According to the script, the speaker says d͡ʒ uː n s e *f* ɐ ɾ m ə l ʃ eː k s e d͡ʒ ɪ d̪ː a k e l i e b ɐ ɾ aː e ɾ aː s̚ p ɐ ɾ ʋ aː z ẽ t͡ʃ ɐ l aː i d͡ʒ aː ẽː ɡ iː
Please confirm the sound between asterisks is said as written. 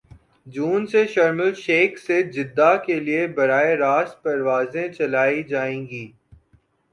no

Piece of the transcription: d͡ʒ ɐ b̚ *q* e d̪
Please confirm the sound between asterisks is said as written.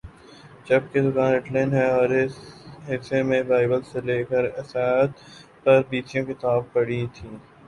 no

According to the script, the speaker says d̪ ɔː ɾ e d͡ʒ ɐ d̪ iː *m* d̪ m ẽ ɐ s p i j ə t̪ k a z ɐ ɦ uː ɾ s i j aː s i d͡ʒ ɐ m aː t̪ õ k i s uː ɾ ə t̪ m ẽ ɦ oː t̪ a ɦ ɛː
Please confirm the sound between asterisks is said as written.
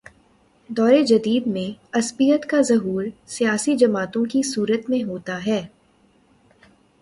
no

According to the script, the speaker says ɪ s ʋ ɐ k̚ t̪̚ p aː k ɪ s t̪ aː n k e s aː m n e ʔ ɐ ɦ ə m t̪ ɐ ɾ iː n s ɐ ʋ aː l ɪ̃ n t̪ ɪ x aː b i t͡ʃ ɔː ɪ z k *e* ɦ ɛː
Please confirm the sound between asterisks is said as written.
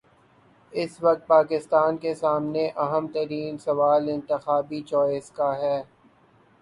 no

